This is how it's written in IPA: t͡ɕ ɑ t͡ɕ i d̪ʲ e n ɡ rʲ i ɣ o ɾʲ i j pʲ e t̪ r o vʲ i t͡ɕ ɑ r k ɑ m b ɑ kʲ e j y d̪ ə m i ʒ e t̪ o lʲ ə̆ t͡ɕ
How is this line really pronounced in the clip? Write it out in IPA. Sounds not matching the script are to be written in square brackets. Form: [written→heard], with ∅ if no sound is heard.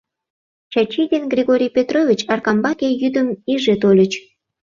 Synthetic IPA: t͡ɕ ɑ t͡ɕ i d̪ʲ e n ɡ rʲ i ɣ o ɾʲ i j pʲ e t̪ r o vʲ i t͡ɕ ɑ r k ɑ m b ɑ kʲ e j y d̪ ə m i ʒ e t̪ o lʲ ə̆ t͡ɕ